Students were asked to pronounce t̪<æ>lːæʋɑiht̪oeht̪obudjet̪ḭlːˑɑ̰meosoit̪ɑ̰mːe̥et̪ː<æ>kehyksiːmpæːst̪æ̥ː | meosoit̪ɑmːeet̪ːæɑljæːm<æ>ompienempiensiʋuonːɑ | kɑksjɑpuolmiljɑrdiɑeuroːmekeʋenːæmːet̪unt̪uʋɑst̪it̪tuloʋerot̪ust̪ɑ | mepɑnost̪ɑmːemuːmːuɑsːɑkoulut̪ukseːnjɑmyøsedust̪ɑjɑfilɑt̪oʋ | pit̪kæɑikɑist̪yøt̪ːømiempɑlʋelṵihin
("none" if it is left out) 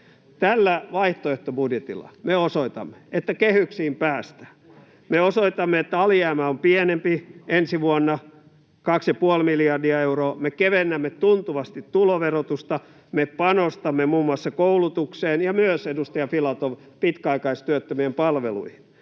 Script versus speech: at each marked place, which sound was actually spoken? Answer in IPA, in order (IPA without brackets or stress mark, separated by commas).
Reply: æ, æ, æ